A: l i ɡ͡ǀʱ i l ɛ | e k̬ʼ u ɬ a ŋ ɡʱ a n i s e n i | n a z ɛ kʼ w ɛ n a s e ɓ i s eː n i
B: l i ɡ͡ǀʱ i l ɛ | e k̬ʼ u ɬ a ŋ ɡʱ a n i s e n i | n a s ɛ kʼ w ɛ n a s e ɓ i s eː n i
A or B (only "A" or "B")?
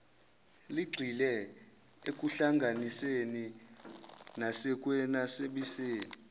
B